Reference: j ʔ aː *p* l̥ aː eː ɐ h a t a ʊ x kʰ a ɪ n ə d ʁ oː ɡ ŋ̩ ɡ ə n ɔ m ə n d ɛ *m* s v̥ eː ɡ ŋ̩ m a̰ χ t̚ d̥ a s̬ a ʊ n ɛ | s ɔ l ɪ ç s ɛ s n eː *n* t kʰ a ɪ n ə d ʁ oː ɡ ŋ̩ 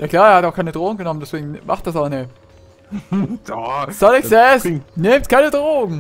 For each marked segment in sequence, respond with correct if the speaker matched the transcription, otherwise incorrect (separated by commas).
incorrect, incorrect, incorrect